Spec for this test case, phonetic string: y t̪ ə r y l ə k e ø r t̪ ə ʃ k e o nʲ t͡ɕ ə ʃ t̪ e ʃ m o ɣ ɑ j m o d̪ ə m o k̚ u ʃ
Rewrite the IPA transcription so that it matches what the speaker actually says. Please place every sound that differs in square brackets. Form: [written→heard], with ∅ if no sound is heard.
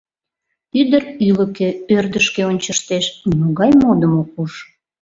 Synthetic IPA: y [t̪→d̪] ə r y l ə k e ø r [t̪→d̪] ə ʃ k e o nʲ t͡ɕ ə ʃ t̪ e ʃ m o ɣ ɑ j m o d̪ ə m o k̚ u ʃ